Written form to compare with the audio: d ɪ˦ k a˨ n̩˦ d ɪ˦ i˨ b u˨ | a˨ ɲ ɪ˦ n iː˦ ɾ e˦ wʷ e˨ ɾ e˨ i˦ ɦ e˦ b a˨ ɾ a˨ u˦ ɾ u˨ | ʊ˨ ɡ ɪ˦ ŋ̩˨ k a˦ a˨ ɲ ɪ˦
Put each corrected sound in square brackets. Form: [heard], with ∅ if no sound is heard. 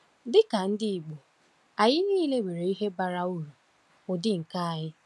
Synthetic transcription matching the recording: d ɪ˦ k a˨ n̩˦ d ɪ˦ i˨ [ɡ͡b] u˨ | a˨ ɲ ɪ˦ n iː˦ [l] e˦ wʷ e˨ ɾ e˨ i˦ ɦ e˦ b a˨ ɾ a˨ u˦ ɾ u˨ | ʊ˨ [d] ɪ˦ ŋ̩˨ k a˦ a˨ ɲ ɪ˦